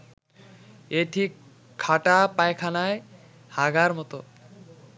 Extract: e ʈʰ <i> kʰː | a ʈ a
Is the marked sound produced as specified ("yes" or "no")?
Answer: yes